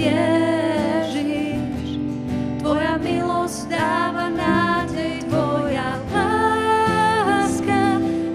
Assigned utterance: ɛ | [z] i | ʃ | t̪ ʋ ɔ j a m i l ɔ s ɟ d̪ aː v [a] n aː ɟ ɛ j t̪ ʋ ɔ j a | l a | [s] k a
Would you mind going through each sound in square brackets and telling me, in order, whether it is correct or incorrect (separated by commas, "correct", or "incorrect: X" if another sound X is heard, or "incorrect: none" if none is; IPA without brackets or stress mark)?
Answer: incorrect: ʒ, correct, correct